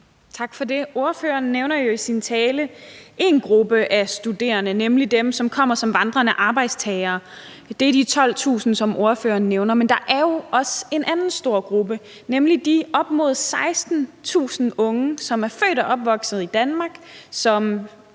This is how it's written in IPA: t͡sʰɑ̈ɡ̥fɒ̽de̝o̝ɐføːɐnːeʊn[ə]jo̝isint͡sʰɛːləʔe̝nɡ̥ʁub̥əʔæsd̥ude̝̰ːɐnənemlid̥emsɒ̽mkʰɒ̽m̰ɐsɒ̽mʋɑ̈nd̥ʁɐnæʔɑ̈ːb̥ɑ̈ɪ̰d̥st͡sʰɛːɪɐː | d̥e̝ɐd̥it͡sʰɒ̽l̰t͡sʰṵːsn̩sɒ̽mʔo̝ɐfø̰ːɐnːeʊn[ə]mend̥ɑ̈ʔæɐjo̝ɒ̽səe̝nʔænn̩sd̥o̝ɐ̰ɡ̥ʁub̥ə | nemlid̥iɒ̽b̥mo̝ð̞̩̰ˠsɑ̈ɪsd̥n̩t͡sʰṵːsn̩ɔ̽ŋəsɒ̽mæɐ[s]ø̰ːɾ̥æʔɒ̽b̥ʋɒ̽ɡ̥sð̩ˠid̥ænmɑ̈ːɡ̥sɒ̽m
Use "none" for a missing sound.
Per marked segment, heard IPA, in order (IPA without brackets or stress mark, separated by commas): ɐ, ɐ, f